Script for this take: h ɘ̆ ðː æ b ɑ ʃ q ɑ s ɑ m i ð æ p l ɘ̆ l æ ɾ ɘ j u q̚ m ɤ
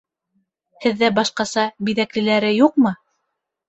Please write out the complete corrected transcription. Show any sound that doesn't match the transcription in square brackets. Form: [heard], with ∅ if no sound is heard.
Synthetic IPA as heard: h ɘ̆ ðː æ b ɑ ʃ q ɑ s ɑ [b] i ð æ [k] l ɘ̆ l æ ɾ ɘ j u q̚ m ɤ